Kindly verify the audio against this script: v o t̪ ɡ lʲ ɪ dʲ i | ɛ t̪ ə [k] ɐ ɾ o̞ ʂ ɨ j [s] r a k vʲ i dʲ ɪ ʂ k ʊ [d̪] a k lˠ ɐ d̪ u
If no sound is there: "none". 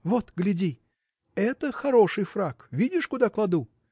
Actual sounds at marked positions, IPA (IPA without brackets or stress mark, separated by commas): x, f, d̪